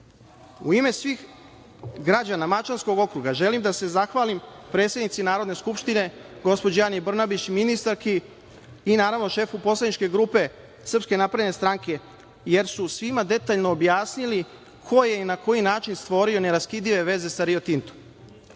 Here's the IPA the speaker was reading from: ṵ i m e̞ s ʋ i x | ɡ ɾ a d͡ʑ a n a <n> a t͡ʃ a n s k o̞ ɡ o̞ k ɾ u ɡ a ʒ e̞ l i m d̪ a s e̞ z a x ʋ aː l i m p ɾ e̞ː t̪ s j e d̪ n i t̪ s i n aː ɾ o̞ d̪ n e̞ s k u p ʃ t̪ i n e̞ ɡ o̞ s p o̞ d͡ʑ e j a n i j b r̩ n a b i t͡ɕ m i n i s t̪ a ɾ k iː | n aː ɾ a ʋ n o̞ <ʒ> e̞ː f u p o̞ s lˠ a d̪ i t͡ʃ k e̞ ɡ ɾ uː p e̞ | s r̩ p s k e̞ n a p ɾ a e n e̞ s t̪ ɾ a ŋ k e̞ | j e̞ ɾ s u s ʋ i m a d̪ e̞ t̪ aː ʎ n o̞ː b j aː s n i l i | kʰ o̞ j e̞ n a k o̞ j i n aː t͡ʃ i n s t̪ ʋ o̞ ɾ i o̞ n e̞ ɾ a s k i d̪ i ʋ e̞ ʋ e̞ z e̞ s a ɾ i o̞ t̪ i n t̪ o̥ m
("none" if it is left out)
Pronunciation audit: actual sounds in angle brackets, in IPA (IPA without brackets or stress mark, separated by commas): m, ʃ